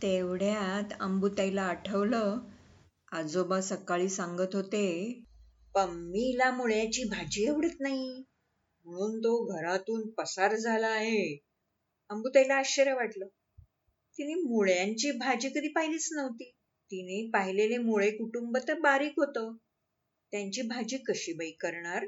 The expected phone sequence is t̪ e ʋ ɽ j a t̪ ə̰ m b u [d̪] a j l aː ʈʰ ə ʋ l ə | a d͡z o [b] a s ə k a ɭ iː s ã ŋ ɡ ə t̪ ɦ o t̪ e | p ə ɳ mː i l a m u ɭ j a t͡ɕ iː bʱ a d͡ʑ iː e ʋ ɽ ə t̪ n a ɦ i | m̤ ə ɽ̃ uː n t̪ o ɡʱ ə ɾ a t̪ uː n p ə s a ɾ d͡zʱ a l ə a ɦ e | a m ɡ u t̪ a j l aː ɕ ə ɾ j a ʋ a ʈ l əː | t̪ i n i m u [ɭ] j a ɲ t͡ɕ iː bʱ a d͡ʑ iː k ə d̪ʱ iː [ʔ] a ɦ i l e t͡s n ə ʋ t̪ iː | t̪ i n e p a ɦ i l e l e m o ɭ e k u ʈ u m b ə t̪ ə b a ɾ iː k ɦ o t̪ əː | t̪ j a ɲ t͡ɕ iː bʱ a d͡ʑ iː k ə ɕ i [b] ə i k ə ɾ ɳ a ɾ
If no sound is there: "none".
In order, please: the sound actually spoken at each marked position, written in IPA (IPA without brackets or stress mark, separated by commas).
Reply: t̪, b, ɭ, p, b